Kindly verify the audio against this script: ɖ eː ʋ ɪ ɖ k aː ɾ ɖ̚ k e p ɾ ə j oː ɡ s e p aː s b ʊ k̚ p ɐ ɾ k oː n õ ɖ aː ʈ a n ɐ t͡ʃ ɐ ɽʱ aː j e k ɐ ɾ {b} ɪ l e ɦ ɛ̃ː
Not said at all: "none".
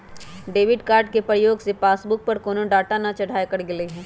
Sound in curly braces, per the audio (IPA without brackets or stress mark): ɡ